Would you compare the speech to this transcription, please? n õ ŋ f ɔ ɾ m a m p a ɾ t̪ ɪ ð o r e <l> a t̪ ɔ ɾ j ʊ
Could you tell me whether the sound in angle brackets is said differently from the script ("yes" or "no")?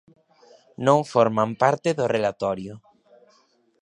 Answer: no